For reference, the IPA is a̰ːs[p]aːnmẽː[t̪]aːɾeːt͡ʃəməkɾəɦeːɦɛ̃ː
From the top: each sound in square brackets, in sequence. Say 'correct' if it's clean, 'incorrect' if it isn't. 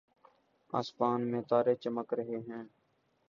correct, correct

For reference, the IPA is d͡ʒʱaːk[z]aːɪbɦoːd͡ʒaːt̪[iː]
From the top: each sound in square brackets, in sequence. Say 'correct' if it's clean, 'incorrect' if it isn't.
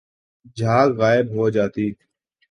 incorrect: ɣ, correct

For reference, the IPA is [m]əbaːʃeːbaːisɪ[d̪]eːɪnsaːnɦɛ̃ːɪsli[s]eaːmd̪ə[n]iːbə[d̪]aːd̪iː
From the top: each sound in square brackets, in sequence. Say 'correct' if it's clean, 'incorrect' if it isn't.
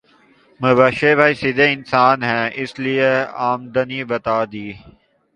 correct, correct, incorrect: none, correct, incorrect: t̪

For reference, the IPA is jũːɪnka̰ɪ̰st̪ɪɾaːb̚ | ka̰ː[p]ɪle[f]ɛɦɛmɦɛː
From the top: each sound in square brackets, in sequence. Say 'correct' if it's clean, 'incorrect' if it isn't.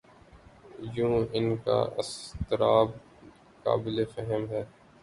incorrect: b, correct

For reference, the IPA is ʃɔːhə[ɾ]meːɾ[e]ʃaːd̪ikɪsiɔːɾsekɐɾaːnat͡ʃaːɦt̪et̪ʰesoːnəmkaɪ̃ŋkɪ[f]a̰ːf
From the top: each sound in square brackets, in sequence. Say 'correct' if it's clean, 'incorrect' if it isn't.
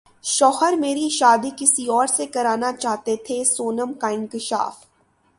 correct, incorrect: i, incorrect: ʃ

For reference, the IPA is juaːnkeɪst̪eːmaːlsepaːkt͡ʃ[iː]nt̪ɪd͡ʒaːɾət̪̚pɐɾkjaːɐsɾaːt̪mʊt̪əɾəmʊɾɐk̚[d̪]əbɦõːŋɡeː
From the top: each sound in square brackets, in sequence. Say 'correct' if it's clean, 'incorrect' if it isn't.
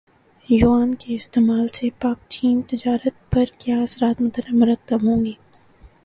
correct, incorrect: t̪

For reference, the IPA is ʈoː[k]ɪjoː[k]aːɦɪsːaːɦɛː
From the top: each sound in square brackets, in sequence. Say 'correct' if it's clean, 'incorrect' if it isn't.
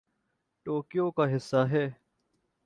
correct, correct

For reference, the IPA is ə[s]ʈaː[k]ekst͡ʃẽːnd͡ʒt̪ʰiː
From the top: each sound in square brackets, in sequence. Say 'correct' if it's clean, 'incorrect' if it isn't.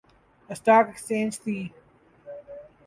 correct, correct

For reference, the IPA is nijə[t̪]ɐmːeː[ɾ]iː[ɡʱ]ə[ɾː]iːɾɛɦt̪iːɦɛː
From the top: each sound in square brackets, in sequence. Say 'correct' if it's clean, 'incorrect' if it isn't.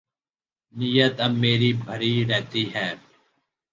correct, correct, incorrect: bʱ, incorrect: ɾ

